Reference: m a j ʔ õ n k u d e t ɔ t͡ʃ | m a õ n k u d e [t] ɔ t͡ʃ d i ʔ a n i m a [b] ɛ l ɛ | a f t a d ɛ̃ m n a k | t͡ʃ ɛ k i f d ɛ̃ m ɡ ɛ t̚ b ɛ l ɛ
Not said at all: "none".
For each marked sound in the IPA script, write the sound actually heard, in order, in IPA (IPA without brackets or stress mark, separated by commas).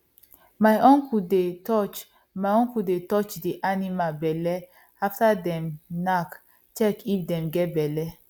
t, b